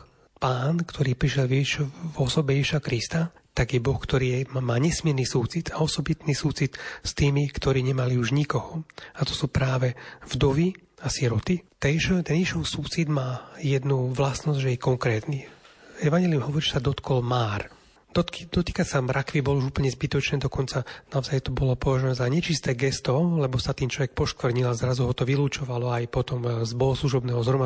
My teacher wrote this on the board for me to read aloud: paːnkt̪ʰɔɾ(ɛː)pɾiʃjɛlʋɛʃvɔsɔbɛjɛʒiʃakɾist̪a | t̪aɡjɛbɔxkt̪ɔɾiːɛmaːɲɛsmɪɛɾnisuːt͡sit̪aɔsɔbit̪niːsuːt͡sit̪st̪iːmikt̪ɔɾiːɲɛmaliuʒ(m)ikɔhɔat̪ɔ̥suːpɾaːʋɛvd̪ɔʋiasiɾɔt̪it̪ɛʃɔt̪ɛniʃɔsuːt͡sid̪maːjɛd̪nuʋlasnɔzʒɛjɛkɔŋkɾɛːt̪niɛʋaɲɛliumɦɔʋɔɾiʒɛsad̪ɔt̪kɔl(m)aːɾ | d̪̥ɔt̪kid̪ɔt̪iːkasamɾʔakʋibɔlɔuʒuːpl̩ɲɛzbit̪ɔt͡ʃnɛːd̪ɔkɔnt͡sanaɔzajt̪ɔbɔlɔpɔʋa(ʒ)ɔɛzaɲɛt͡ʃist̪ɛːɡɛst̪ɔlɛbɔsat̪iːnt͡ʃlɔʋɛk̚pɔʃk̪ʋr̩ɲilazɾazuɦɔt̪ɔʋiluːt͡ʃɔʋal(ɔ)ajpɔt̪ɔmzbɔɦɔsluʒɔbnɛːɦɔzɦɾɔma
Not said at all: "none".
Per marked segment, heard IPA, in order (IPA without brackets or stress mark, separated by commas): iː, ɲ, m, ʒ, ɔ